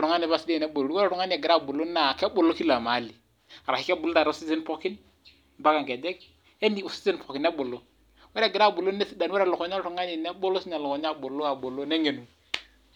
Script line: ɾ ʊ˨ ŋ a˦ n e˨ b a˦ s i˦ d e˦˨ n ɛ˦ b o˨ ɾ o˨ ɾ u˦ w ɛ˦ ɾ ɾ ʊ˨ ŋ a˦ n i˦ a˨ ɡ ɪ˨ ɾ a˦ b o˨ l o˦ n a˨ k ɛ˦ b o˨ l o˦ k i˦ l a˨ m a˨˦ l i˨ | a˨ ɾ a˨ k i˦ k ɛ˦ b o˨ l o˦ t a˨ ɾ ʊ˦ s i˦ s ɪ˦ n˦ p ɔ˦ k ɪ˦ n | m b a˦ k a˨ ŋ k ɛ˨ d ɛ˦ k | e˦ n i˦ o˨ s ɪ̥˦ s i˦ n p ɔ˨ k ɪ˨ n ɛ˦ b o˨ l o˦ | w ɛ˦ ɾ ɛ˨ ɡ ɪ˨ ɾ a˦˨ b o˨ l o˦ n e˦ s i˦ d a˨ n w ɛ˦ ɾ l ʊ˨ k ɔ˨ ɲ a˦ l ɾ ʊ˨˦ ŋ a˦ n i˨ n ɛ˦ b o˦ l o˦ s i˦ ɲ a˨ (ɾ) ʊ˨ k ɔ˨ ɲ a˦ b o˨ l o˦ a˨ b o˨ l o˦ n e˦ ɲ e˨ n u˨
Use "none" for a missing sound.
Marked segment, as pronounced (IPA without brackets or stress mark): l